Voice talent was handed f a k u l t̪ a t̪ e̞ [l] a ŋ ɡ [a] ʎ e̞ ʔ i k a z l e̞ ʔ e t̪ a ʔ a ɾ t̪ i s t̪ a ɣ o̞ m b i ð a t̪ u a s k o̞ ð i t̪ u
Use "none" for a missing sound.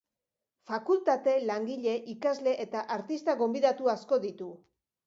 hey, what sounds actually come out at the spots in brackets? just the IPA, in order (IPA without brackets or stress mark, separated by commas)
l, i